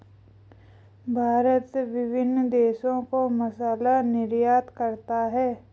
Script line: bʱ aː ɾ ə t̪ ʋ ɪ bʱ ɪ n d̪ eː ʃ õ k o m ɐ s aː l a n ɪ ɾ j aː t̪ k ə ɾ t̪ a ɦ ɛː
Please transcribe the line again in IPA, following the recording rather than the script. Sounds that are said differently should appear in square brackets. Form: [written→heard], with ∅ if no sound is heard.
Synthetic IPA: bʱ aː ɾ ə t̪ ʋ ɪ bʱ ɪ n d̪ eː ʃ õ k o m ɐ s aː l a n ɪ ɾ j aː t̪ k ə ɾ t̪ a ɦ ɛː